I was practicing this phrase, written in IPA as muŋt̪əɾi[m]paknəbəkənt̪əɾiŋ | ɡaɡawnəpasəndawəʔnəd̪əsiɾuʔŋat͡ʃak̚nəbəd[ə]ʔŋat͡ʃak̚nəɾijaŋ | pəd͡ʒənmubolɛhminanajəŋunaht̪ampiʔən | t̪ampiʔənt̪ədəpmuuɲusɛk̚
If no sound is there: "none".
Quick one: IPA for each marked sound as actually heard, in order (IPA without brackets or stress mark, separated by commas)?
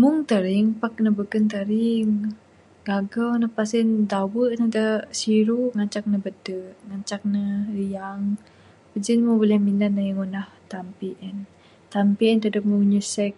ŋ, ə